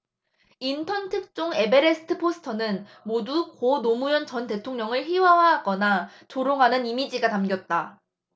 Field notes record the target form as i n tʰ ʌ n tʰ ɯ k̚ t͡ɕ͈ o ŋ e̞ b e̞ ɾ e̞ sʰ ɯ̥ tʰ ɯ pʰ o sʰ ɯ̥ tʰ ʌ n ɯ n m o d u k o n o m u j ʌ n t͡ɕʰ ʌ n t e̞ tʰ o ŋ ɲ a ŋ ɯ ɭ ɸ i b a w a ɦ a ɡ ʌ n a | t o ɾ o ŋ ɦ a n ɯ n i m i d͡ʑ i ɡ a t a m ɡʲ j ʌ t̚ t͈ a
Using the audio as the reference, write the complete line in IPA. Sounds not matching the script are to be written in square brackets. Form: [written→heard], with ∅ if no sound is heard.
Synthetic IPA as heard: i n tʰ ʌ n tʰ ɯ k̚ t͡ɕ͈ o ŋ e̞ b e̞ ɾ e̞ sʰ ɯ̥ tʰ ɯ pʰ o sʰ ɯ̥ tʰ ʌ n ɯ n m o d u k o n o m u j ʌ n [t͡ɕʰ→t͡ɕ] ʌ n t e̞ tʰ o ŋ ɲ [a→ʌ] ŋ ɯ ɭ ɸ i [b→w] a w a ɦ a ɡ ʌ n a | [t→t͡ɕ] o ɾ o ŋ ɦ a n ɯ n i m i d͡ʑ i ɡ a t a m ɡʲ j ʌ t̚ t͈ a